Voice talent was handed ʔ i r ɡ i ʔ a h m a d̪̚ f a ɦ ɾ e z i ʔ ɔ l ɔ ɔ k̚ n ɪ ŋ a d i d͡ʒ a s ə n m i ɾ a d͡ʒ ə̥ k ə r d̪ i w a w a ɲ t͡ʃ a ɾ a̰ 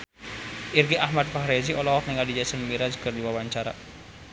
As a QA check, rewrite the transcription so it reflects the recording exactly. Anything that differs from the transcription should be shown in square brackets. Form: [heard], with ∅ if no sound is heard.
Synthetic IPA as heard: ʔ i r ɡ i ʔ a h m a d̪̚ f a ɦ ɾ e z i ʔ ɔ l ɔ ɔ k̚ n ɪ ŋ a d i d͡ʒ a s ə n m i ɾ a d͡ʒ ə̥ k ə r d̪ i w a w a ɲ t͡ʃ a ɾ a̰